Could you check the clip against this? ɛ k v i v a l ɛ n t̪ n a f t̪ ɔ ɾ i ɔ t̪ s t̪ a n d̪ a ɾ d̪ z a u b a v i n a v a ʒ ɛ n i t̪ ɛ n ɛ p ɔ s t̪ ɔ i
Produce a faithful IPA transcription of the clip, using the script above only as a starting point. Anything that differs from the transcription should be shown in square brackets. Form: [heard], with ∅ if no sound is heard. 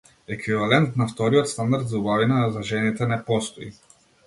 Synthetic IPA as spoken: ɛ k v i v a l ɛ n t̪ n a f t̪ ɔ ɾ i ɔ t̪ s t̪ a n d̪ a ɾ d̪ z a u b a v i n a [z] a ʒ ɛ n i t̪ ɛ n ɛ p ɔ s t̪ ɔ i

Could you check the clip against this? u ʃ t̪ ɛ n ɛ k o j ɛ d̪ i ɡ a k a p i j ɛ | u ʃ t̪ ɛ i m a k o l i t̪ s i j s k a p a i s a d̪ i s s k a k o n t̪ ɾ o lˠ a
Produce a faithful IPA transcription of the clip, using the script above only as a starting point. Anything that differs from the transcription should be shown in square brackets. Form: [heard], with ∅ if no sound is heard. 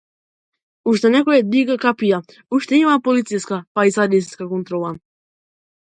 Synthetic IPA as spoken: u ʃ t̪ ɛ n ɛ k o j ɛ d̪ i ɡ a k a p i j [a] | u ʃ t̪ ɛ i m a [p] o l i t̪ s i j s k a p a i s a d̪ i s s k a k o n t̪ ɾ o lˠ a

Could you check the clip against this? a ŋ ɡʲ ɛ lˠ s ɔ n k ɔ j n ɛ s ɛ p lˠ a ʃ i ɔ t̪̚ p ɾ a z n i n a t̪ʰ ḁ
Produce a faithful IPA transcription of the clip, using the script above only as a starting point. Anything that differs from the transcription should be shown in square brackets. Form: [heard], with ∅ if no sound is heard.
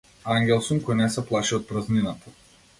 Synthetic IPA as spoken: a ŋ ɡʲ ɛ lˠ s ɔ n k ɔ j n ɛ s ɛ p lˠ a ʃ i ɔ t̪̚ p ɾ a z n i n a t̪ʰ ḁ

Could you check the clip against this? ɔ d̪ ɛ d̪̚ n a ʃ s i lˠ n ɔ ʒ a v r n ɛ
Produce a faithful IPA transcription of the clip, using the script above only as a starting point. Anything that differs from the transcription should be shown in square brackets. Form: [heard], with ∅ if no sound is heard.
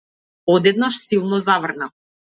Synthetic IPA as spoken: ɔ d̪ ɛ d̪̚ n a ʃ s i lˠ n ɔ [z] a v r n [a]

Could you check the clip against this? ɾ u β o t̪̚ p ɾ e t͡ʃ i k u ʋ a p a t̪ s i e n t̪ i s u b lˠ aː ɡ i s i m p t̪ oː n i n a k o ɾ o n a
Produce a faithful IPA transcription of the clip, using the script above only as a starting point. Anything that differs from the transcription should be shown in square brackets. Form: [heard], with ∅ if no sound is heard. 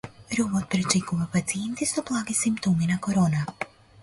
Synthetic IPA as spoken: ɾ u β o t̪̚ p ɾ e t͡ʃ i k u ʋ a p a t̪ s i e n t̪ i s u b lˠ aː ɡ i s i m p t̪ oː [m] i n a k o ɾ o n a

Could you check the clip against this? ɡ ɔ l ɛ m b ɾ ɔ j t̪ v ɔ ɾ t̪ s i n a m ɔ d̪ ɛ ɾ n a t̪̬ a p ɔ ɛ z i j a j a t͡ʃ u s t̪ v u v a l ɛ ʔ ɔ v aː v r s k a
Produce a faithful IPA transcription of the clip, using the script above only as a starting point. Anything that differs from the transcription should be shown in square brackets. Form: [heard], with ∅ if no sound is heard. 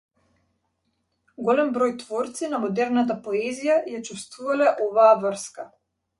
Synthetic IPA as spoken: ɡ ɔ l ɛ m b ɾ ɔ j t̪ v ɔ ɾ t̪ s i n a m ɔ d̪ ɛ ɾ n a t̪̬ a p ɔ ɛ z i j a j a t͡ʃ u s t̪ v u v a l ɛ ʔ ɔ v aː v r s k a

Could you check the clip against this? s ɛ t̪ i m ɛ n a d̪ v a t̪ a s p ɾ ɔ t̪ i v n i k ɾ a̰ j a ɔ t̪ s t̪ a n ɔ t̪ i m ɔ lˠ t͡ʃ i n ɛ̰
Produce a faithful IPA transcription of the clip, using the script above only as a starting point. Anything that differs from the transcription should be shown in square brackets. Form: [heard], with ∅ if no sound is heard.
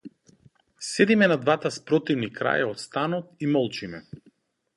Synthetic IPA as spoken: s ɛ [d̪] i m ɛ n a d̪ v a t̪ a s p ɾ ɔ t̪ i v n i k ɾ a̰ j a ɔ t̪ s t̪ a n ɔ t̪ i m ɔ lˠ t͡ʃ i [m] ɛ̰

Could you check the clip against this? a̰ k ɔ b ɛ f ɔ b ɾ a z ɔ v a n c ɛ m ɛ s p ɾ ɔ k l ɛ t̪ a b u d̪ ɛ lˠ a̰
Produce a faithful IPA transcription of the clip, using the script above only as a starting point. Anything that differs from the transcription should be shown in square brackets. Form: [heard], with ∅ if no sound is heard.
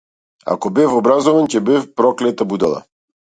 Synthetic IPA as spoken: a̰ k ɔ b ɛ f ɔ b ɾ a z ɔ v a n c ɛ [b] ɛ [f] p ɾ ɔ k l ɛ t̪ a b u d̪ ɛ lˠ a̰

